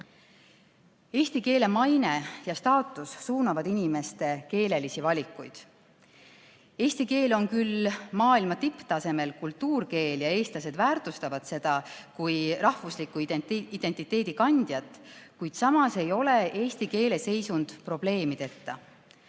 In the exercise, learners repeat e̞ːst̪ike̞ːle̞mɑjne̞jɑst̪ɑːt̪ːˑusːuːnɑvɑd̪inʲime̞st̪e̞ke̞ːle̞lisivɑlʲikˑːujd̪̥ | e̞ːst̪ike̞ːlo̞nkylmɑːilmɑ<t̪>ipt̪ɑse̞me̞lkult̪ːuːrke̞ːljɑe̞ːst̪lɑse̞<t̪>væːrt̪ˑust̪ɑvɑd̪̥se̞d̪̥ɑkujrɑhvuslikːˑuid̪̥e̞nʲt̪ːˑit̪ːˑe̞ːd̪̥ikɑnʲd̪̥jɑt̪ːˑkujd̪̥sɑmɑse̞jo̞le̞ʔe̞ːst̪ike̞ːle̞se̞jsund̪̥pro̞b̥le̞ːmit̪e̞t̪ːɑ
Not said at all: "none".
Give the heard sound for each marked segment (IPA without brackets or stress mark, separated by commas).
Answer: t̪, d̪